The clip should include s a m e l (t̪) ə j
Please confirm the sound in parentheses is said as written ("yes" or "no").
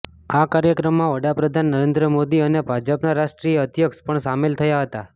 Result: no